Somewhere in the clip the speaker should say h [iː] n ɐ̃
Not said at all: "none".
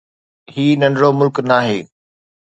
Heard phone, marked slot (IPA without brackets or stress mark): iː